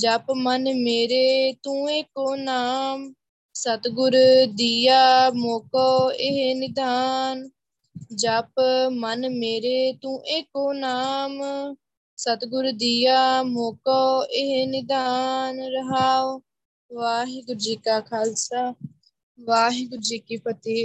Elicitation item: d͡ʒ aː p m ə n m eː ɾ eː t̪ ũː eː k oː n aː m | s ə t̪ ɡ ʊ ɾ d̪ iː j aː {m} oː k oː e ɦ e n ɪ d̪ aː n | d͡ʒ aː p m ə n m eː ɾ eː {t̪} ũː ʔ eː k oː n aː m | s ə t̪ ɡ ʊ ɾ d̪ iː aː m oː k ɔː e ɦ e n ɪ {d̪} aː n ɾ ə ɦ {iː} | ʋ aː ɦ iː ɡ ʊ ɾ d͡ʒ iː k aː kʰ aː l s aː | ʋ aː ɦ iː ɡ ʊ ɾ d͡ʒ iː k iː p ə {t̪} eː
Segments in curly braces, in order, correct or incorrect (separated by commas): correct, correct, correct, incorrect, correct